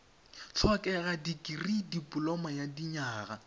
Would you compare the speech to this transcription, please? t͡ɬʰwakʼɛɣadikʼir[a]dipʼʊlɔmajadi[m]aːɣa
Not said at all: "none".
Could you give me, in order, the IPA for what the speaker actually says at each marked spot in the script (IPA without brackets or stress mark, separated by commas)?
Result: i, ɲ